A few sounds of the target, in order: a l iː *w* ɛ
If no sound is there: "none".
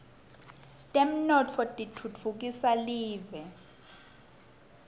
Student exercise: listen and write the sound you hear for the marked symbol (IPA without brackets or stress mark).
v